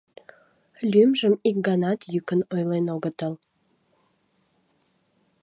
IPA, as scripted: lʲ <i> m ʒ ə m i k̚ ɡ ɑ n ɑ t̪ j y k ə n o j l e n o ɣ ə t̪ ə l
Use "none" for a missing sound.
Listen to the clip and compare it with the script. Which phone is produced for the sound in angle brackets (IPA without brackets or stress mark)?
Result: y